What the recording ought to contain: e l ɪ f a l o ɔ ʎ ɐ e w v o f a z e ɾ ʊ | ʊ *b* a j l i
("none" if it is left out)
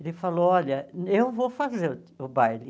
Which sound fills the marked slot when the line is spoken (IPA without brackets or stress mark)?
b